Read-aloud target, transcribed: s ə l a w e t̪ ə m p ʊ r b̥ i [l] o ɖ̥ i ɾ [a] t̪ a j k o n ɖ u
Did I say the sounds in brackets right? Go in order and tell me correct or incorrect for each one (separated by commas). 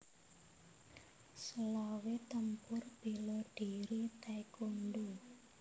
correct, incorrect